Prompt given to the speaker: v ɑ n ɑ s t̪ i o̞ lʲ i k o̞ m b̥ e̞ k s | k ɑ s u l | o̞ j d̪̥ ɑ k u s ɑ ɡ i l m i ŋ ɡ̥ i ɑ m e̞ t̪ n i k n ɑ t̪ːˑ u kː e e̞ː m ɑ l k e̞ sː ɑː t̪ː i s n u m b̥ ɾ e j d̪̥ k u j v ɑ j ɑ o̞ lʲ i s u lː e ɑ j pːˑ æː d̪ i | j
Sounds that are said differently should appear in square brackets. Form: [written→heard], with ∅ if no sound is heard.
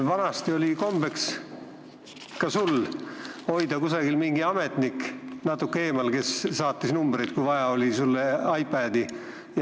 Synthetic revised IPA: v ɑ n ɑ s t̪ i o̞ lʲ i k o̞ m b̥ e̞ k s | k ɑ s u l | o̞ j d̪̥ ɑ k u s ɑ ɡ i l m i ŋ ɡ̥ i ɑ m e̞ t̪ n i k n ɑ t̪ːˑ u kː e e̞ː m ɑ l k e̞ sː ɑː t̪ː i s n u m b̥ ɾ e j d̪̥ k u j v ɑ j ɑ o̞ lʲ i s u lː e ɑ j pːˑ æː d̪ i | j